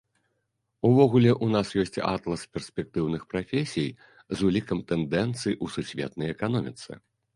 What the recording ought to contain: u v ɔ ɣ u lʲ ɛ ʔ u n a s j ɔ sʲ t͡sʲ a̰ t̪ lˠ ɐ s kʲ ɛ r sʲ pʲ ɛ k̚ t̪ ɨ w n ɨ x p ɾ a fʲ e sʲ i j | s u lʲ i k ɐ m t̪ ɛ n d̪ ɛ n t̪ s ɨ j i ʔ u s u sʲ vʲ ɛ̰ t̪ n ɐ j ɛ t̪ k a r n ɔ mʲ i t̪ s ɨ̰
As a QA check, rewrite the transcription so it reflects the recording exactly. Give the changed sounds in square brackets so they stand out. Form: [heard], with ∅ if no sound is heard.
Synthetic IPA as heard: u v ɔ ɣ u lʲ ɛ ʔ u n a s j ɔ sʲ t͡sʲ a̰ t̪ lˠ ɐ s [pʲ] ɛ r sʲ pʲ ɛ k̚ t̪ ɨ w n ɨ x p ɾ a fʲ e sʲ i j | [z] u lʲ i k ɐ m t̪ ɛ n d̪ ɛ n t̪ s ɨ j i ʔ u s u sʲ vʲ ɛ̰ t̪ n ɐ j ɛ [∅] k a [∅] n ɔ mʲ i t̪ s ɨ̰